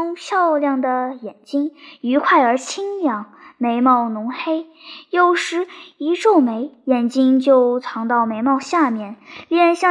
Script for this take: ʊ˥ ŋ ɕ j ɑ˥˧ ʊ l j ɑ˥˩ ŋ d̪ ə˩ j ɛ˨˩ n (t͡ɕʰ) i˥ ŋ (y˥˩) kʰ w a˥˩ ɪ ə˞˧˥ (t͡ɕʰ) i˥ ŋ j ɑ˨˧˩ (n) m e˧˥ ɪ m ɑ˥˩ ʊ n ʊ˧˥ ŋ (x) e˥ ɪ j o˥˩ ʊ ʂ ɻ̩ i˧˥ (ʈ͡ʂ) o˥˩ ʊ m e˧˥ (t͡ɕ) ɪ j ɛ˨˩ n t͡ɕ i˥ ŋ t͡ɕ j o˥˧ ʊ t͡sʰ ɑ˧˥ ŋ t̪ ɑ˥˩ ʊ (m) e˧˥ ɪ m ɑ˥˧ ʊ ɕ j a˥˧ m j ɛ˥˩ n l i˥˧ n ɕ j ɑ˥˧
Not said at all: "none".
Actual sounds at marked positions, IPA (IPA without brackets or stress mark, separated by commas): t͡ɕ, y˧˥, t͡ɕʰ, ŋ, x, ʈ͡ʂ, none, m